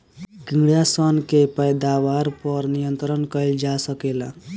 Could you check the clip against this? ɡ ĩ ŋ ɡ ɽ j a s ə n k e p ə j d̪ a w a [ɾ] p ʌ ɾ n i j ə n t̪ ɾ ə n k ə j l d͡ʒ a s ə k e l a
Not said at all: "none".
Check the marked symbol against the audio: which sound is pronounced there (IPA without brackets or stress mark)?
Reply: ɾ